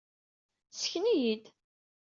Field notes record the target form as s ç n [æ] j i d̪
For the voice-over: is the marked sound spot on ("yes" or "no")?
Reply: no